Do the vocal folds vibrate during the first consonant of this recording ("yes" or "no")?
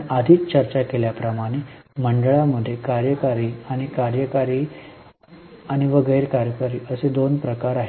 yes